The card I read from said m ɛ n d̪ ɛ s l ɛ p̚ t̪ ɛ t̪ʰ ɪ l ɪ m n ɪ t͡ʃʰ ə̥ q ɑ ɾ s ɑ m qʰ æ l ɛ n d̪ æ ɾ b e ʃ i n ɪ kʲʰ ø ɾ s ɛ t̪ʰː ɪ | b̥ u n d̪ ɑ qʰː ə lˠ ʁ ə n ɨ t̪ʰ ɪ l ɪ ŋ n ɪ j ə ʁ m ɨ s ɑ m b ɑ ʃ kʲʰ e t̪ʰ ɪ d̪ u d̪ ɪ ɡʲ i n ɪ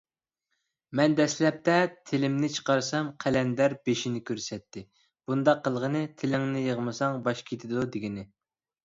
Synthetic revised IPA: m ɛ n d̪ ɛ s l ɛ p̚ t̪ ɛ t̪ʰ ɪ l ɪ m n ɪ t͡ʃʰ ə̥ q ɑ ɾ s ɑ m qʰ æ l ɛ n d̪ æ ɾ b e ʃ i n ɪ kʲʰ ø ɾ s ɛ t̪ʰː ɪ | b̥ u n d̪ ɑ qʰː ə lˠ ʁ ə n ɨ t̪ʰ ɪ l ɪ ŋ n ɪ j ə ʁ m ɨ s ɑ ŋ b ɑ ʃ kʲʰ e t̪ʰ ɪ d̪ u d̪ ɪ ɡʲ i n ɪ